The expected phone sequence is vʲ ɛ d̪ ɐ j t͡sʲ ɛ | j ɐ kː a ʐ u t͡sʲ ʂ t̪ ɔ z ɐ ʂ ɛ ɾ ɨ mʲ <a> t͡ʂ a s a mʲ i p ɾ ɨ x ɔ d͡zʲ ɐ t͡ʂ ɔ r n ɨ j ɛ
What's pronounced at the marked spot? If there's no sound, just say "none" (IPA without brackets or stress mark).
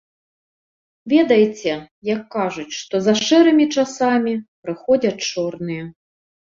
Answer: i